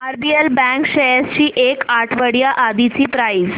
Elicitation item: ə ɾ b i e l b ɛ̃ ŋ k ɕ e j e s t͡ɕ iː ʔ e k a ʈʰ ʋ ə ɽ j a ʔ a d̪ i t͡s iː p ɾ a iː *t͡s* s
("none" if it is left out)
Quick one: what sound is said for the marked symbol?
none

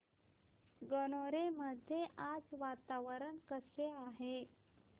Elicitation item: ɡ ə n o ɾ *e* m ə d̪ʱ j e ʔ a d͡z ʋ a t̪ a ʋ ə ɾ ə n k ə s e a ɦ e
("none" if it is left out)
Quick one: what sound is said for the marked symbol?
e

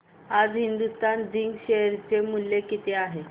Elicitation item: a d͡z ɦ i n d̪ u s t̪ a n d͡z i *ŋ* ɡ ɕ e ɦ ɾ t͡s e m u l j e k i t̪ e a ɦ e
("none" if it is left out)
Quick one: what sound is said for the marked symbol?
ŋ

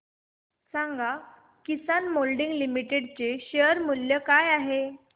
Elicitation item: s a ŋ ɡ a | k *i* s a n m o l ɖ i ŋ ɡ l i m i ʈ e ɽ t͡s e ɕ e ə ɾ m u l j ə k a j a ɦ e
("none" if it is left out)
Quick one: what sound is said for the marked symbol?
i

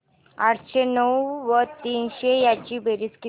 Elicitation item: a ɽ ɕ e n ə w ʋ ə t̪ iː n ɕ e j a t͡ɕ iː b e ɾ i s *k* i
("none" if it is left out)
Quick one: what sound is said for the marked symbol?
k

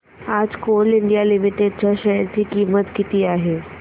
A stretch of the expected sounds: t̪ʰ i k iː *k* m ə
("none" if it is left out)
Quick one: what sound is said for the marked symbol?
none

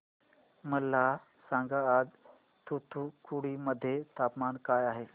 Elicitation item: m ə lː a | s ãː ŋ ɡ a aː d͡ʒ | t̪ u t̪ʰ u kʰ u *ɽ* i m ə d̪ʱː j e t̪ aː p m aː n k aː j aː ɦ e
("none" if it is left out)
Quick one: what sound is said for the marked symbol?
ɽ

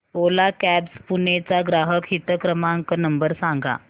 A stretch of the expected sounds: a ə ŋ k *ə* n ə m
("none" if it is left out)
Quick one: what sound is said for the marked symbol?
ə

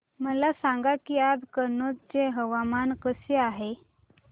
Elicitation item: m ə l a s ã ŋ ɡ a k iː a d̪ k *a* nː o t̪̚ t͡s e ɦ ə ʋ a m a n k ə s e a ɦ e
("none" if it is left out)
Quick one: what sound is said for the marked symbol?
ə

